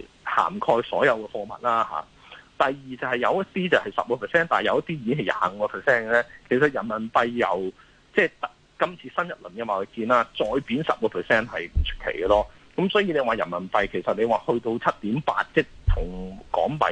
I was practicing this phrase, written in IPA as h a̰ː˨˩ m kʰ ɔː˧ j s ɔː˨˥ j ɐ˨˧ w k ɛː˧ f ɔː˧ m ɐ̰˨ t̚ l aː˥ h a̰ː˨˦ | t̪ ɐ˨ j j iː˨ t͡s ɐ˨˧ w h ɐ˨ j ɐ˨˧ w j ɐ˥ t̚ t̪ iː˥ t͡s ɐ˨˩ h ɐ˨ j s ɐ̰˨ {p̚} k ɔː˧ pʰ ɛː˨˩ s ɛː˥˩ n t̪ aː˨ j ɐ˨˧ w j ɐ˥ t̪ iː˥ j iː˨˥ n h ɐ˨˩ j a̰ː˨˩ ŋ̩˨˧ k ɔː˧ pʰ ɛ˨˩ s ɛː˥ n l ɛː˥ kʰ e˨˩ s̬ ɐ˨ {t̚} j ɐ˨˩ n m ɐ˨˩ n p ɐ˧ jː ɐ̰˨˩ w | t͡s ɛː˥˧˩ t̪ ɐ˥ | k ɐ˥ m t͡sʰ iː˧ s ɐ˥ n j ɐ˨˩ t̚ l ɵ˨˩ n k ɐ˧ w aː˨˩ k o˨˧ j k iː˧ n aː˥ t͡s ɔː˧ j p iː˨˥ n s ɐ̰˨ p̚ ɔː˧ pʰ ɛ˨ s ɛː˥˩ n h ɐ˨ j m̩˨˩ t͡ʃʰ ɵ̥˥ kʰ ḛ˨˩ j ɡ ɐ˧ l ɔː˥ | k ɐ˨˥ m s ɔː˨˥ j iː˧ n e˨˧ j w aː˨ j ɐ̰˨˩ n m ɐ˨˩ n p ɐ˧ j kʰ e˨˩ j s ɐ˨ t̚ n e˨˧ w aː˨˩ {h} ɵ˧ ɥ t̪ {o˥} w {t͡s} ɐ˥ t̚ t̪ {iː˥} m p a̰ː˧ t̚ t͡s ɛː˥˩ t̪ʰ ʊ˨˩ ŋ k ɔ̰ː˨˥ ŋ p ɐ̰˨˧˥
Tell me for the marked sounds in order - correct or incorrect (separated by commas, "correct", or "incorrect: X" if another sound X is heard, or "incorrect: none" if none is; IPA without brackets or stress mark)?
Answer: correct, correct, correct, incorrect: o˧, incorrect: t͡sʰ, incorrect: iː˨˥